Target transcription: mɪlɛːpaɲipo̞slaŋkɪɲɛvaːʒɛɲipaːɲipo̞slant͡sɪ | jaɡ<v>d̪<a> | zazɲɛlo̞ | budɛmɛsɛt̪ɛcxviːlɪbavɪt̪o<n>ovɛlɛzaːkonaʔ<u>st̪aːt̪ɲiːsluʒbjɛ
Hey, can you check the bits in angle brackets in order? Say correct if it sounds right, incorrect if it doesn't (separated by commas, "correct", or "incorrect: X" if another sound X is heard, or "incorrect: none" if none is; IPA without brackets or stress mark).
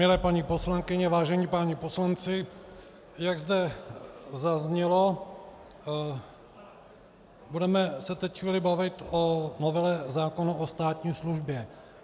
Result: incorrect: z, incorrect: ɛ, correct, incorrect: o